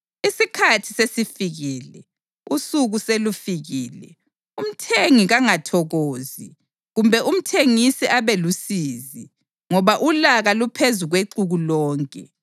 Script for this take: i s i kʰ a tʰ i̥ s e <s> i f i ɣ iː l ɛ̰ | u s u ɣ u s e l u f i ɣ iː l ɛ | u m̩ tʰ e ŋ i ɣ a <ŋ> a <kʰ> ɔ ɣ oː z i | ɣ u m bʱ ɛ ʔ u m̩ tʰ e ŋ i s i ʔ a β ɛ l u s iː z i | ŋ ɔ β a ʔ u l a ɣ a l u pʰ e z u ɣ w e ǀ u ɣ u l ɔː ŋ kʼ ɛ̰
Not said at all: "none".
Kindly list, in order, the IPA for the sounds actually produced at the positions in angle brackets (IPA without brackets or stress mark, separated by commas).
s, ŋ, tʰ